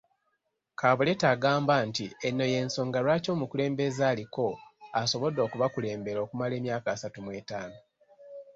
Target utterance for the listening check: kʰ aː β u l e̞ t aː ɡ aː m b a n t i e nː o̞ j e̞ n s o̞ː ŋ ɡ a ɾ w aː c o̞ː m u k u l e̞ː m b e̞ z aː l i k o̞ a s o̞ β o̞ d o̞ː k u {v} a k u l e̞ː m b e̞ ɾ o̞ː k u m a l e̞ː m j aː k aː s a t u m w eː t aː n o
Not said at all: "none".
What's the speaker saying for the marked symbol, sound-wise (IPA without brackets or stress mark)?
β